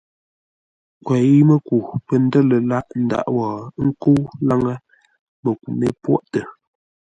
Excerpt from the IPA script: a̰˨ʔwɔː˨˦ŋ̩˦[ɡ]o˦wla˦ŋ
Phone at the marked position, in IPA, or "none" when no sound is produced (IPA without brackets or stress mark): k